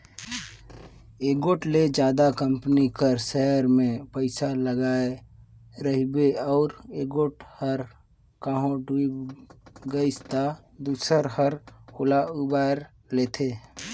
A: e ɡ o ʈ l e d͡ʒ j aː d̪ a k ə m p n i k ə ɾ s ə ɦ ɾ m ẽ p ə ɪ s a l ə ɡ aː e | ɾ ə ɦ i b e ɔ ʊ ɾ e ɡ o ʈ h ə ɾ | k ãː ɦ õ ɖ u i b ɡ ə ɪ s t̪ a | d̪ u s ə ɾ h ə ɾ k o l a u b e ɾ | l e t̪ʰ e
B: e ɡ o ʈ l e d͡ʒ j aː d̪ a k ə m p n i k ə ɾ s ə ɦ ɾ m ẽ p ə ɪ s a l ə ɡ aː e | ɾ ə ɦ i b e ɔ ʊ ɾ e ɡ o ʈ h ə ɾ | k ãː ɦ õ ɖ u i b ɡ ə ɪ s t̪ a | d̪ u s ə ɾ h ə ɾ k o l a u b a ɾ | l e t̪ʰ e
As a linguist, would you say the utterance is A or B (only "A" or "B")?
B